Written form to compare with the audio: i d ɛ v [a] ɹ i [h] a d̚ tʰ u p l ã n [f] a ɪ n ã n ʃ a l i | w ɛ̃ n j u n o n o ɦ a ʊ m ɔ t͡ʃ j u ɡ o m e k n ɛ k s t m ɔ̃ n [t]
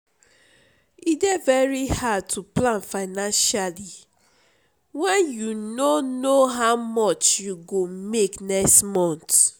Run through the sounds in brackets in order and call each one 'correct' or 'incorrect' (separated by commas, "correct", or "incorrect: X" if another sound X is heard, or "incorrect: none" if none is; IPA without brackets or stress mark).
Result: incorrect: ɛ, correct, correct, correct